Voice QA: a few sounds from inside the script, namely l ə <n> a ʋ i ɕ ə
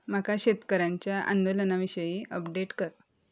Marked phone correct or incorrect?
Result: correct